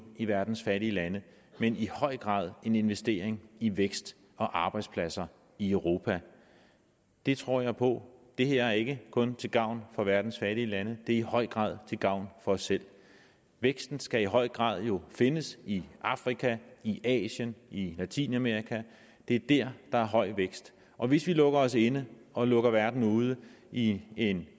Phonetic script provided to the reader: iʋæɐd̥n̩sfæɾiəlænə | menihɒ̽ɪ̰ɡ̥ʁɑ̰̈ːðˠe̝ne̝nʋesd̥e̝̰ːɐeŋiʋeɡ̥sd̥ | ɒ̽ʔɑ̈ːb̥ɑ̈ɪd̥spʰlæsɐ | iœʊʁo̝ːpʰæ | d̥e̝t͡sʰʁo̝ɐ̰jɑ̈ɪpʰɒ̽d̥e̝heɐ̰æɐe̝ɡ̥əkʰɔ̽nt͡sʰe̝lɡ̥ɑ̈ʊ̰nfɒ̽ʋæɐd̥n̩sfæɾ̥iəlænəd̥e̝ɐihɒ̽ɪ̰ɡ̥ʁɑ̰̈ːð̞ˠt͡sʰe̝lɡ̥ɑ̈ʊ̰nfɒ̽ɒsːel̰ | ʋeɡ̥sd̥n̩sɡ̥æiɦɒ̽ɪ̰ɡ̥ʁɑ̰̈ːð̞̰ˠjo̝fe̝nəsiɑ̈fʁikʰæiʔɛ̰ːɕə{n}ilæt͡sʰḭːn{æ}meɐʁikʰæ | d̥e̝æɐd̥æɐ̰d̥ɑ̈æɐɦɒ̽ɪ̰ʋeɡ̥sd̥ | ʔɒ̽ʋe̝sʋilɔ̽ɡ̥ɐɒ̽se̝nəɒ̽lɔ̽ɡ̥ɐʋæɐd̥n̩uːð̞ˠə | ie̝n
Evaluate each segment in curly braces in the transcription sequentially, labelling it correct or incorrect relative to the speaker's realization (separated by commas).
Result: correct, correct